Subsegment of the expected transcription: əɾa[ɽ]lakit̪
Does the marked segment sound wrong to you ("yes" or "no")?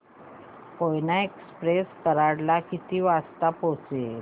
no